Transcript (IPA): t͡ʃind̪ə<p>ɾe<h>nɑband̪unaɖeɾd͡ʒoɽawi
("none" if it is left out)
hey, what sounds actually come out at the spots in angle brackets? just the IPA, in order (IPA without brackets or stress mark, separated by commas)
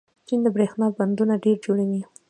b, x